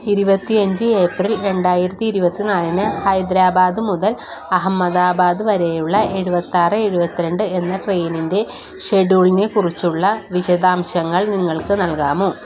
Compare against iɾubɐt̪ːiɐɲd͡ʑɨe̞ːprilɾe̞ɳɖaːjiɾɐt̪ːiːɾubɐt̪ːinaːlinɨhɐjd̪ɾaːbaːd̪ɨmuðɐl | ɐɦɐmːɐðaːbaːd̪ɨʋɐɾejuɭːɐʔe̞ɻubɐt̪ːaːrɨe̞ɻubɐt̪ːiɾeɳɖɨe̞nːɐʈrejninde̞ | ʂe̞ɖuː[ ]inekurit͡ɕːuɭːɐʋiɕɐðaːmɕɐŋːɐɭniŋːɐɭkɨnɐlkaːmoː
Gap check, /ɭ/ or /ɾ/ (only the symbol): ɭ